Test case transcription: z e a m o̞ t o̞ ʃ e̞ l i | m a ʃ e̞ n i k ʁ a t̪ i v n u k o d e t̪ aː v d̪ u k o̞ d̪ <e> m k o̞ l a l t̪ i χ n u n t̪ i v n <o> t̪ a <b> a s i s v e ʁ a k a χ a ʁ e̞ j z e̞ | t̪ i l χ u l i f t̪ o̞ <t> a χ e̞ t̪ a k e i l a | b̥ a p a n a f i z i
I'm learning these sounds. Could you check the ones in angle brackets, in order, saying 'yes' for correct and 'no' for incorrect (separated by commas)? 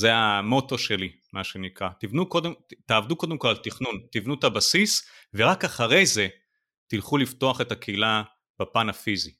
yes, no, yes, no